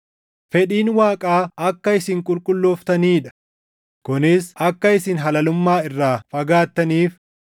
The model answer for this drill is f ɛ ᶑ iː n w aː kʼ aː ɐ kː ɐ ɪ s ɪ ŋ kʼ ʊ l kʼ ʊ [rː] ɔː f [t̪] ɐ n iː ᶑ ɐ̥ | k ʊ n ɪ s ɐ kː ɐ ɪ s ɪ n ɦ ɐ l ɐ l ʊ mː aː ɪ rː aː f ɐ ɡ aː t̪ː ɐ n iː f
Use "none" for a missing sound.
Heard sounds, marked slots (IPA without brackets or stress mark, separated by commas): lː, t̪